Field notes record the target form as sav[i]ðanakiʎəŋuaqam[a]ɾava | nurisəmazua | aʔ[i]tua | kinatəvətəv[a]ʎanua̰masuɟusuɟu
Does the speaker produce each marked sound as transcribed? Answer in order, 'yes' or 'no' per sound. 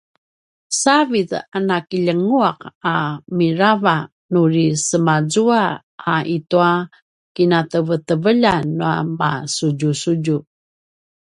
yes, no, yes, no

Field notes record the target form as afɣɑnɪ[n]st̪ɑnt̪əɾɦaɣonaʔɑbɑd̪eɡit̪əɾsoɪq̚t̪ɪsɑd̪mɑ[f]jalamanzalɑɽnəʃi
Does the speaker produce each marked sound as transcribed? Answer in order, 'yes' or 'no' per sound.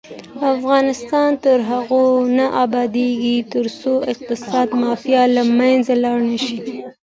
no, yes

